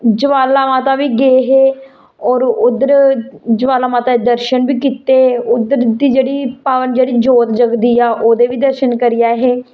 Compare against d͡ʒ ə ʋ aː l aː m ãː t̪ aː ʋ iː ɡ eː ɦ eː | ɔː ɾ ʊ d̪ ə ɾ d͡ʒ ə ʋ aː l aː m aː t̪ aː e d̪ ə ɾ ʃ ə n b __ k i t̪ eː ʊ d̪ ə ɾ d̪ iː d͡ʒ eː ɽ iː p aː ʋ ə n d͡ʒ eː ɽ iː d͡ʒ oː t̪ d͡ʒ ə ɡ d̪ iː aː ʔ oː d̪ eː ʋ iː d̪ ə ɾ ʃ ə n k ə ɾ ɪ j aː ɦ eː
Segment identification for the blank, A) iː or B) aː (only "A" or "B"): A